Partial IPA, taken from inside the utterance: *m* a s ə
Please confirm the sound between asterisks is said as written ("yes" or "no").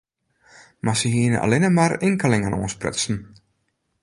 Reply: yes